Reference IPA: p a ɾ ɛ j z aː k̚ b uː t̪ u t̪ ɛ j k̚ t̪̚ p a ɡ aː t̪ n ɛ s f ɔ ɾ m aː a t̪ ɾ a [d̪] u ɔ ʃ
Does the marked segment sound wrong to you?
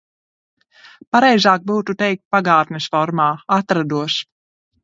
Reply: no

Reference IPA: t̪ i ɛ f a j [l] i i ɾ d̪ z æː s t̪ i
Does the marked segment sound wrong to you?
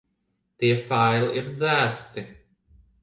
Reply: no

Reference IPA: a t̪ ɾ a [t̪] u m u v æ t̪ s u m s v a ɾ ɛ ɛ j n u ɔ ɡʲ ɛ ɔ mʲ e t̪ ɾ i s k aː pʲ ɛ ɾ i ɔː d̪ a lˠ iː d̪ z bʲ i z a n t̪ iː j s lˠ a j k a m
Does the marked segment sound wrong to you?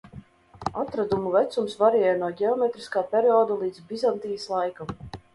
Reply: yes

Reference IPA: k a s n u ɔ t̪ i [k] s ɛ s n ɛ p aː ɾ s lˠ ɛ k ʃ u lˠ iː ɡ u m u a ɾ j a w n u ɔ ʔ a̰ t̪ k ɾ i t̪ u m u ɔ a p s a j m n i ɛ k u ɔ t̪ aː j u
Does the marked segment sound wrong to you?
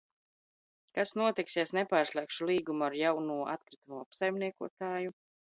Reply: no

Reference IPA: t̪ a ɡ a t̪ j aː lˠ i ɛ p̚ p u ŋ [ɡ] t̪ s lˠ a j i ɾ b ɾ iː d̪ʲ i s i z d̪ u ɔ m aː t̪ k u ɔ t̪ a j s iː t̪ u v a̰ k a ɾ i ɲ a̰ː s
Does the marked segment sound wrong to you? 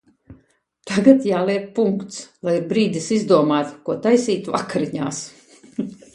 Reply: yes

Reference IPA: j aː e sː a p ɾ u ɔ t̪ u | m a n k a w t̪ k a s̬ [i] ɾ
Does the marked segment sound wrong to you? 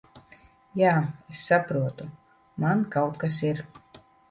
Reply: no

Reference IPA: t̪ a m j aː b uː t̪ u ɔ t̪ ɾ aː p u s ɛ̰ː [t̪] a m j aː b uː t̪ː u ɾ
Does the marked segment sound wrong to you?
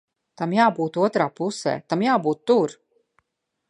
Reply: no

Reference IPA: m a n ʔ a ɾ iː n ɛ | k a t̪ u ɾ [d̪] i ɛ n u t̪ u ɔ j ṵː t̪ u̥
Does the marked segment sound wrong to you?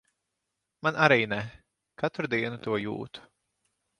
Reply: no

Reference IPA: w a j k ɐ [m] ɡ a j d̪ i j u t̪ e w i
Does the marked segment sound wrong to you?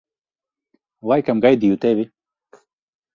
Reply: no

